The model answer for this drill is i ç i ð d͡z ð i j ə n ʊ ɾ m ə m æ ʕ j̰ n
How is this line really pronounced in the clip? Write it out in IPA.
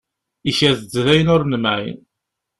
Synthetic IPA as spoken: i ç æ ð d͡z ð æ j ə n ʊ ɾ n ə m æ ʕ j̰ n

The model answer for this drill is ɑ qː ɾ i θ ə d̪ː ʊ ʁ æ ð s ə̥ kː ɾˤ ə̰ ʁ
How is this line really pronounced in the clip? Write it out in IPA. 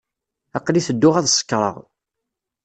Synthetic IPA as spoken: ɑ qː l i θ ə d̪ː ʊ ʁ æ ð s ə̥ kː ɾˤ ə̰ ʁ

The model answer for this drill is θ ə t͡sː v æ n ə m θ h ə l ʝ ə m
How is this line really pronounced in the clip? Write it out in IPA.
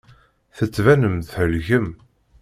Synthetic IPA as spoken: θ ə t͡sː v æ n ə m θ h ə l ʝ ə m

